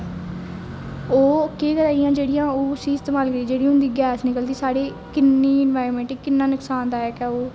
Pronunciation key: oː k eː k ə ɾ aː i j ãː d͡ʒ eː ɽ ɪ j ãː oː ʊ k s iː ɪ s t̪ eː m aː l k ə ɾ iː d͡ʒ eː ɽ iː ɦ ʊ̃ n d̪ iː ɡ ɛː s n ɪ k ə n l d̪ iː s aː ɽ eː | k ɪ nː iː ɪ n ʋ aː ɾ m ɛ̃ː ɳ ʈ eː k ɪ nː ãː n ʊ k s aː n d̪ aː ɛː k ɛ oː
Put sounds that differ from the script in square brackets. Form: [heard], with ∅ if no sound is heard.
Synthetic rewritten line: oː k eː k ə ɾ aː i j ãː d͡ʒ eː ɽ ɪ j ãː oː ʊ [∅] s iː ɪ s t̪ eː m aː l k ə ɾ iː d͡ʒ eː ɽ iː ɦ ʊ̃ n d̪ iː ɡ ɛː s n ɪ k ə [∅] l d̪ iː s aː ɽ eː | k ɪ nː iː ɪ n ʋ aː ɾ m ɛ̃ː ɳ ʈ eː k ɪ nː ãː n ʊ k s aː n d̪ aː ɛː k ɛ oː